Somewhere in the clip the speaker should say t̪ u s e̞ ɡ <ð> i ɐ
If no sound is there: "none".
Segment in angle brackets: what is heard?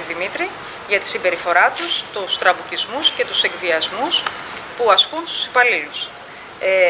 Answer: v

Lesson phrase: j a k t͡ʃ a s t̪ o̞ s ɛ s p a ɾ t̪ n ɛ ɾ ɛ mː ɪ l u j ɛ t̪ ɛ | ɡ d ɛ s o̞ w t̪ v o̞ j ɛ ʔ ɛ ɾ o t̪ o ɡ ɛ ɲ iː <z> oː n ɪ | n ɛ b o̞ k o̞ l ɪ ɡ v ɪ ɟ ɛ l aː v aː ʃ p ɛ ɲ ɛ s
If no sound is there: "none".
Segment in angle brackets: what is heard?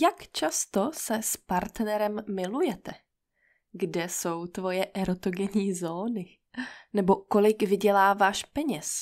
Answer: z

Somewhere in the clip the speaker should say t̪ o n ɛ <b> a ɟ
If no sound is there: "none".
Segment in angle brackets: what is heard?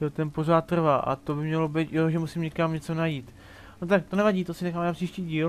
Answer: v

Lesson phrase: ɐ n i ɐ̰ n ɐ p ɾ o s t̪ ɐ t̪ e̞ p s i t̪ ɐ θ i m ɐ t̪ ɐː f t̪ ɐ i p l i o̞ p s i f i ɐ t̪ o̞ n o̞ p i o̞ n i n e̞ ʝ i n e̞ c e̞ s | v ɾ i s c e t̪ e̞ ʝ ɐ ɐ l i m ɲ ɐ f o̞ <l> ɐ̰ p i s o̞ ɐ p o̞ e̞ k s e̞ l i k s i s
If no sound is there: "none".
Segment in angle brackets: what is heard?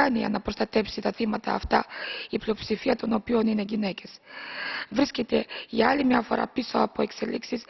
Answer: ɾ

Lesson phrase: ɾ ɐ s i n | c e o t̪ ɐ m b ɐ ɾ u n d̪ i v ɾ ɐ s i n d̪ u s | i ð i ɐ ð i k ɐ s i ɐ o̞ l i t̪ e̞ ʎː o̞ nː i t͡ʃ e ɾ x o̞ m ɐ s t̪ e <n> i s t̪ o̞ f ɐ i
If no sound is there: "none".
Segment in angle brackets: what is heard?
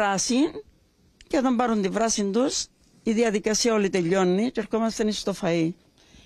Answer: n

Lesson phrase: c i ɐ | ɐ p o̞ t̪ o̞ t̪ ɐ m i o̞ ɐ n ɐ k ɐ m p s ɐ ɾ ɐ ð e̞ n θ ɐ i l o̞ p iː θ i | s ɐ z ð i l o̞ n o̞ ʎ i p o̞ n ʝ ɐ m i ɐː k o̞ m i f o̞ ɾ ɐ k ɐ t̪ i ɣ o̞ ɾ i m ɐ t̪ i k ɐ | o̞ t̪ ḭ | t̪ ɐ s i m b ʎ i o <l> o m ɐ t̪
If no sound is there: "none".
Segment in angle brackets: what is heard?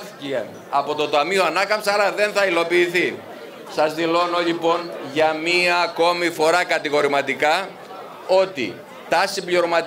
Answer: ɾ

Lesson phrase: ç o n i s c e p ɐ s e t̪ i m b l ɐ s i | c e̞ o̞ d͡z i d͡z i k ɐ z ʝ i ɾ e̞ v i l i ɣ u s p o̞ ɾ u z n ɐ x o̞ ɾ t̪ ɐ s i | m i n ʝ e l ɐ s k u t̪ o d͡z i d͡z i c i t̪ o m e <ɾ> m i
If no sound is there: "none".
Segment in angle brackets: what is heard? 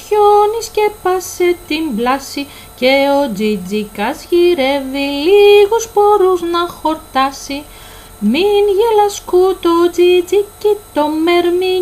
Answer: ɾ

